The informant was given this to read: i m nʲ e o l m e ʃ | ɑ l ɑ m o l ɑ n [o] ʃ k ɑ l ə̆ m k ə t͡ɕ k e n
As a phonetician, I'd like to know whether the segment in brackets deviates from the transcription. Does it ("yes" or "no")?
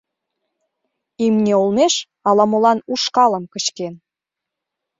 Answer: yes